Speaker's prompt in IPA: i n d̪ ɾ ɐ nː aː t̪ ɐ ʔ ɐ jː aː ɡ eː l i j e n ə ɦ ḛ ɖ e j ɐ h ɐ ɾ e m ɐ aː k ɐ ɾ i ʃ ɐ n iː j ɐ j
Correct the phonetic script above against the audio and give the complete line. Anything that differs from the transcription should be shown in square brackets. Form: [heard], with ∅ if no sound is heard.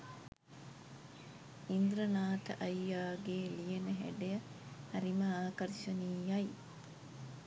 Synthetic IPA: i n d̪ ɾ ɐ [n] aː t̪ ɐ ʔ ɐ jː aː ɡ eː l i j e n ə ɦ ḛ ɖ e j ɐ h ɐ ɾ [i] m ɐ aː k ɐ ɾ i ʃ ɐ n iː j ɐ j